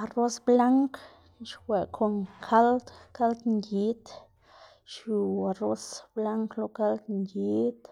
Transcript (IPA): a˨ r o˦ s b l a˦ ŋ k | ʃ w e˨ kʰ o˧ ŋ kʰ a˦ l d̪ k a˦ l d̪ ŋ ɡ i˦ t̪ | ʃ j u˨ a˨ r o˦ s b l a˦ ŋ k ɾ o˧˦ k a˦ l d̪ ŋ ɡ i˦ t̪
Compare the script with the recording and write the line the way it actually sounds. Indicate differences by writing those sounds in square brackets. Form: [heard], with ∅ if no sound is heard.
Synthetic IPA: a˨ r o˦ s b l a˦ ŋ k | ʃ w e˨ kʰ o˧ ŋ kʰ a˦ l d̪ k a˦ l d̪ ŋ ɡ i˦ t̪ | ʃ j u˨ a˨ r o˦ s b l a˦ ŋ k [l] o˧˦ k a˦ l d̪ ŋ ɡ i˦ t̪